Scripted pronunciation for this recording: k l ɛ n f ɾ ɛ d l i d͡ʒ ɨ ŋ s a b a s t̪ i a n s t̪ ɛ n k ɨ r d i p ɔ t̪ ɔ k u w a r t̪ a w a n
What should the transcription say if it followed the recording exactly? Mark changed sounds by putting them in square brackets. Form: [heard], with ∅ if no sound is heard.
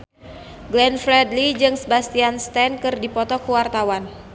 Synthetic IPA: [ɡ] l ɛ n f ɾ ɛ d l i d͡ʒ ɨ ŋ s [ə] b a s t̪ i a n s t̪ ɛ n k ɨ r d i p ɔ t̪ ɔ k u w a r t̪ a w a n